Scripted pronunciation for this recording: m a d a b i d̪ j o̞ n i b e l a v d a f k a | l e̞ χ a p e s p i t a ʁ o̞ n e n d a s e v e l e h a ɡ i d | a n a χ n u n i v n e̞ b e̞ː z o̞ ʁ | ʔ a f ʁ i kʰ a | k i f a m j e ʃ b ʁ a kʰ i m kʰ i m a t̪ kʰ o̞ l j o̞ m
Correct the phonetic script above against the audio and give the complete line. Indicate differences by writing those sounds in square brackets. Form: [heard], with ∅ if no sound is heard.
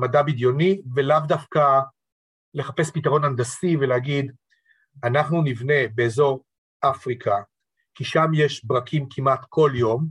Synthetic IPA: m a d a b i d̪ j o̞ n i [v] e l a v d a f k a | l e̞ χ a p e s p i t a ʁ o̞ n [a] n d a s [i] v e l e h a ɡ i d | a n a χ n u n i v n e̞ b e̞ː z o̞ ʁ | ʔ a f ʁ i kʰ a | k i [ʃ] a m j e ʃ b ʁ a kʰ i m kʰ i m a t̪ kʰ o̞ l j o̞ m